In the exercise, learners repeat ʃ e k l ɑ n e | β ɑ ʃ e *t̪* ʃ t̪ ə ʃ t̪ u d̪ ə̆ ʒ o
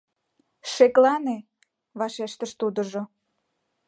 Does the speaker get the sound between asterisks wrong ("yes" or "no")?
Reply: yes